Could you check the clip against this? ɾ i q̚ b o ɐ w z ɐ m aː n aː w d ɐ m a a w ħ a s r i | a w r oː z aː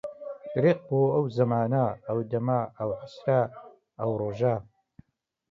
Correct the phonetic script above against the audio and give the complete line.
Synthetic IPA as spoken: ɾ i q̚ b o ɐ w z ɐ m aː n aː w d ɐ m a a w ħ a s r a | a w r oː ʒ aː